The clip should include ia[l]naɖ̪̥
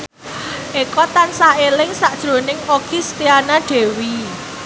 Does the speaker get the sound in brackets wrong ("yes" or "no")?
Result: yes